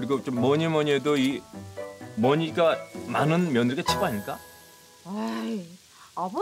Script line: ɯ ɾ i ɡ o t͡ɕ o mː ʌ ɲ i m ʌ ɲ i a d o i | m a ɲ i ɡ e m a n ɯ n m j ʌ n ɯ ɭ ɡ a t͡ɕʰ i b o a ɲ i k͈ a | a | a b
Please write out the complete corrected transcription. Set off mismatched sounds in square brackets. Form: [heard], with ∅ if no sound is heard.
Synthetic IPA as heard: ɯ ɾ i ɡ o t͡ɕ o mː ʌ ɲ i m ʌ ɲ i [e] d o i | m [ʌ] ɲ i ɡ [a] m a n ɯ n m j ʌ n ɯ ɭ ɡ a t͡ɕʰ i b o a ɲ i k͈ a | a | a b